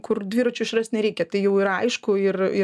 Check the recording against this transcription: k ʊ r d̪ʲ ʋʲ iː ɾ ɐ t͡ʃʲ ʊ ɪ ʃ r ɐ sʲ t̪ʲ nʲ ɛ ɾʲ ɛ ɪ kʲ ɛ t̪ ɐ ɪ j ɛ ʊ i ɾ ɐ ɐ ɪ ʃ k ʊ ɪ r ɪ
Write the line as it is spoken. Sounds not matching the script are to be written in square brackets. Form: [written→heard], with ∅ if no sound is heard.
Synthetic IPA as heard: k ʊ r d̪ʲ ʋʲ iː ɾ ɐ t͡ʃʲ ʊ ɪ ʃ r ɐ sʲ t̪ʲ nʲ ɛ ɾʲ ɛ ɪ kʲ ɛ t̪ ɐ ɪ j ɛ ʊ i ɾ ɐ ɐ ɪ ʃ k ʊ ɪ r ɪ